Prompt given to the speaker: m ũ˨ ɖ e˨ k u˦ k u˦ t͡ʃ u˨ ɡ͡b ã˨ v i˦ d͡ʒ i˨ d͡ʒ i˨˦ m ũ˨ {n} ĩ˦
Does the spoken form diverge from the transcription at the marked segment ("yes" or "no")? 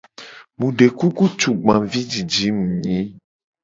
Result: yes